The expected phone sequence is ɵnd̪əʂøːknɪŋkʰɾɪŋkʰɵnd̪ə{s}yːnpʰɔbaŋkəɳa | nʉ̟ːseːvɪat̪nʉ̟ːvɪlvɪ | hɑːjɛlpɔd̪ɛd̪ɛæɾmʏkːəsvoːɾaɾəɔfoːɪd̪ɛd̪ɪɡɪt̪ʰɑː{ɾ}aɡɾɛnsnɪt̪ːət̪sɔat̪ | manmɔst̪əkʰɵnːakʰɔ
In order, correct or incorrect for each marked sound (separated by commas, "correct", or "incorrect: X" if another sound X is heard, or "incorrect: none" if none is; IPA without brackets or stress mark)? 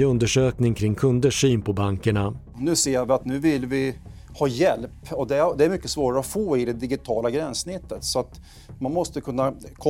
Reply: incorrect: ʂ, incorrect: l